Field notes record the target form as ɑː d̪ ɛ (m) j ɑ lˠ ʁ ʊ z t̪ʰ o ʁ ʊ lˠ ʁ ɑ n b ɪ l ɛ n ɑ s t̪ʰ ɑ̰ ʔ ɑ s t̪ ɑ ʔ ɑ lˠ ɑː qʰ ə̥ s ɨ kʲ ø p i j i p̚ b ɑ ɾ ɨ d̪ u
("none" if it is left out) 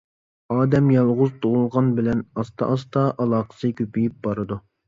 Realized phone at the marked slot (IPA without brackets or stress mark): m